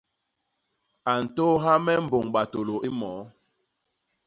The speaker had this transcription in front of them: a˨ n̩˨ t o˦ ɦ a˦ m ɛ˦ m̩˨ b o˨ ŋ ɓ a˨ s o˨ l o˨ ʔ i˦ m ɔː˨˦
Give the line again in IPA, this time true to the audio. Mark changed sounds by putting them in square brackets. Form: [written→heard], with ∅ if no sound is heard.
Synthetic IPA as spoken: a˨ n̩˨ t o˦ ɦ a˦ m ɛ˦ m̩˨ b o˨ ŋ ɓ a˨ [s→t] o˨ l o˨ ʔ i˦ m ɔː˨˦